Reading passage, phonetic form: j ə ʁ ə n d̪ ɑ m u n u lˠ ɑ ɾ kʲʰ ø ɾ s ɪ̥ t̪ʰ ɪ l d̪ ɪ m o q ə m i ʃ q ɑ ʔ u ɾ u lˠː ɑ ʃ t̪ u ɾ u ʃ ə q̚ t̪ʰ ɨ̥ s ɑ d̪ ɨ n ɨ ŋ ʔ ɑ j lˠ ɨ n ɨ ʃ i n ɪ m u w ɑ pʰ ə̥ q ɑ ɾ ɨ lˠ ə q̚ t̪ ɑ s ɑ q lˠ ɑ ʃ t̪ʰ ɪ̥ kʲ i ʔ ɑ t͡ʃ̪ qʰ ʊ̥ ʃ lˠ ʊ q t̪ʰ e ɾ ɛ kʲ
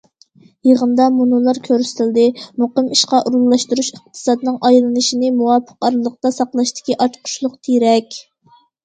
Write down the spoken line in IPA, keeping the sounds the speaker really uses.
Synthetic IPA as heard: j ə ʁ ə n d̪ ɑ m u n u lˠ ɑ ɾ kʲʰ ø ɾ s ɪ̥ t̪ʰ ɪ l d̪ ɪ m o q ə m i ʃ q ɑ ʔ u ɾ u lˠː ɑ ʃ t̪ u ɾ u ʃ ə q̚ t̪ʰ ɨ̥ s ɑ d̪ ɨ n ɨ ŋ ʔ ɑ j lˠ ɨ n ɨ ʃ i n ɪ m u w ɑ pʰ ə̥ q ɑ ɾ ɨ lˠ ə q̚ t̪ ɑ s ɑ q lˠ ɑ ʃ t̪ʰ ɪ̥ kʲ i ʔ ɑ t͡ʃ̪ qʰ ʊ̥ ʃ lˠ ʊ q t̪ʰ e ɾ ɛ kʲ